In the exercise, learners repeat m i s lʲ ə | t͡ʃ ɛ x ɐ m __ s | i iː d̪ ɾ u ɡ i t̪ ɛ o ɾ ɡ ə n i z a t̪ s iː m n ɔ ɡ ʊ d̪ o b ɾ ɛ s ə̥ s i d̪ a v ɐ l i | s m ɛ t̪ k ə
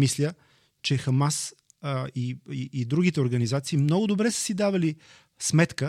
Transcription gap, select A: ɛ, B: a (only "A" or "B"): B